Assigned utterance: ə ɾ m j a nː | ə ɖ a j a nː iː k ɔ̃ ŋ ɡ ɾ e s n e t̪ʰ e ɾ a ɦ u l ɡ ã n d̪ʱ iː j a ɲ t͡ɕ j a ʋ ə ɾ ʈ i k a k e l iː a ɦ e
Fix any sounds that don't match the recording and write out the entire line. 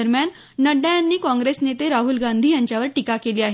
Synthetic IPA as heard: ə ɾ m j a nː | ə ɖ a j a nː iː k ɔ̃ ŋ ɡ ɾ e s n e t̪ e ɾ a ɦ u l ɡ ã n d̪ʱ iː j a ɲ t͡ɕ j a ʋ ə ɾ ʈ i k a k e l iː a ɦ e